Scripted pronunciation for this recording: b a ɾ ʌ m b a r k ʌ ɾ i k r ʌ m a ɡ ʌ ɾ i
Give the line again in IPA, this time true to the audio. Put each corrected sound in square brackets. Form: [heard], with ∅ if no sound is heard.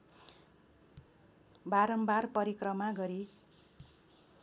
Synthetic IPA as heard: b a ɾ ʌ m b a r [p] ʌ ɾ i k r ʌ m a ɡ ʌ ɾ i